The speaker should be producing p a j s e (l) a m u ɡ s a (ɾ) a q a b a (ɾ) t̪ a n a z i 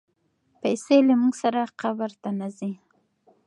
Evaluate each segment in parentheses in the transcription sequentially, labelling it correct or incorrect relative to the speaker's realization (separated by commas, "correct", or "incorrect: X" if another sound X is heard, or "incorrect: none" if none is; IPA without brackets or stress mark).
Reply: correct, correct, correct